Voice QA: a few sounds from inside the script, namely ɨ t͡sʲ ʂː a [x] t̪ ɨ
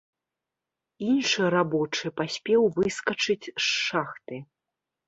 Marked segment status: correct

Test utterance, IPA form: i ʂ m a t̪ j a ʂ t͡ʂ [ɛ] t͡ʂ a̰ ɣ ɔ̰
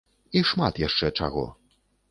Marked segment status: correct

